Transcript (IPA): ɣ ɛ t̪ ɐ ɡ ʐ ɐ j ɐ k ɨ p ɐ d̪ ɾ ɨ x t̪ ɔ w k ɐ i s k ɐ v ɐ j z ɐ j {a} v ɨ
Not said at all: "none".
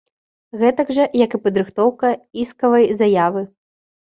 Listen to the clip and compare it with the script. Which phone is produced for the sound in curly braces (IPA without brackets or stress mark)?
a